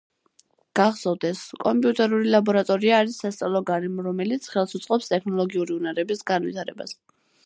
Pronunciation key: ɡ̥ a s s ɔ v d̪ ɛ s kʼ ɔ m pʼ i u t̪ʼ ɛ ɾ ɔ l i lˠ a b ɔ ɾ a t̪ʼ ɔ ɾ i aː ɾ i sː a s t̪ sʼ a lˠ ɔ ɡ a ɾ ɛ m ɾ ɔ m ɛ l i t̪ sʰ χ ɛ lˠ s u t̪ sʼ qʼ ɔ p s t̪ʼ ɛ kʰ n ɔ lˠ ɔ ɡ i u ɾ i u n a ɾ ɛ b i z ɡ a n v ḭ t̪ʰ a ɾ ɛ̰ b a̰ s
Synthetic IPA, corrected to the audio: ɡ̥ a χ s ɔ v d̪ ɛ s kʼ ɔ m pʼ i u t̪ʼ ɛ ɾ u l i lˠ a b ɔ ɾ a t̪ʼ ɔ ɾ i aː ɾ i sː a s t̪ sʼ a lˠ ɔ ɡ a ɾ ɛ m ɾ ɔ m ɛ l i t̪ sʰ χ ɛ lˠ s u t̪ sʼ qʼ ɔ p s t̪ʼ ɛ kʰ n ɔ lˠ ɔ ɡ i u ɾ i u n a ɾ ɛ b i s ɡ a n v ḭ t̪ʰ a ɾ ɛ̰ b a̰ s